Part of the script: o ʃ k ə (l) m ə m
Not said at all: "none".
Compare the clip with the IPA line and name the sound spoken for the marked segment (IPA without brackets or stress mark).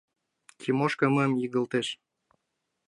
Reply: none